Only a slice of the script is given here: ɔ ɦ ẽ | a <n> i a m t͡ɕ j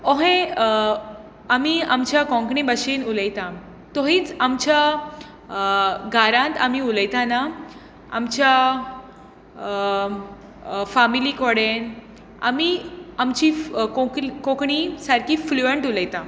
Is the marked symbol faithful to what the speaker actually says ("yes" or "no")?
no